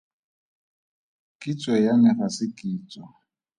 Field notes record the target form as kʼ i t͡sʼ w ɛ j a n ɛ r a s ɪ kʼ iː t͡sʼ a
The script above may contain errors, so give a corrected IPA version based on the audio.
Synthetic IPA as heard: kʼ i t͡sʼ w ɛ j a n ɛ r a s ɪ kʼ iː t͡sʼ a